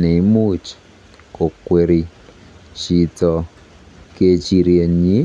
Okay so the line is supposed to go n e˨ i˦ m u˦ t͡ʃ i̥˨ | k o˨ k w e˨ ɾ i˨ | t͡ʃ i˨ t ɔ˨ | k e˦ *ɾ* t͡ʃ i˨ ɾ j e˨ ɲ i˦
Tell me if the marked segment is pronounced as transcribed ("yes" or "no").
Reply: no